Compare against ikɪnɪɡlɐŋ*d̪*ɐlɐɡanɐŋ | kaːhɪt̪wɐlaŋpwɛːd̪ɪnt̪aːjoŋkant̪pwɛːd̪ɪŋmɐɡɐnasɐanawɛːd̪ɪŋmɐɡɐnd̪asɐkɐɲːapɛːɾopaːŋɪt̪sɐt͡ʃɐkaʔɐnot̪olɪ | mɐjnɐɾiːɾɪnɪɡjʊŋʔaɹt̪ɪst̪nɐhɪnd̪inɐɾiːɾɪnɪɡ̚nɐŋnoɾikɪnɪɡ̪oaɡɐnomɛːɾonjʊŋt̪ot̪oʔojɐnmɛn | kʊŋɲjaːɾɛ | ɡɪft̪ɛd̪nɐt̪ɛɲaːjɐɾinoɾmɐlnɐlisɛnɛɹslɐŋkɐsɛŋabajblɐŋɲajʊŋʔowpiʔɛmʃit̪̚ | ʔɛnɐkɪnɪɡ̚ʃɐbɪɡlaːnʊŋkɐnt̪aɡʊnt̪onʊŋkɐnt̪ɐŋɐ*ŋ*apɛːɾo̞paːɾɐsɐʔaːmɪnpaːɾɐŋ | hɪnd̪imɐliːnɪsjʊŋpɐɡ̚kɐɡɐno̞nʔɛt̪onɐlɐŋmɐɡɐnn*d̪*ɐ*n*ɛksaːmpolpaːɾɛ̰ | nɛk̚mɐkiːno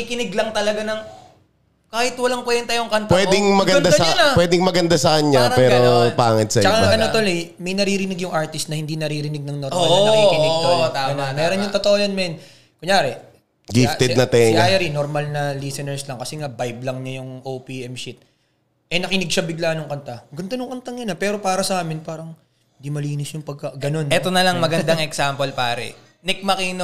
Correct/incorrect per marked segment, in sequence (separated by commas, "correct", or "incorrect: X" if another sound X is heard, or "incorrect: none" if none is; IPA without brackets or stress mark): incorrect: t̪, incorrect: n, correct, incorrect: ŋ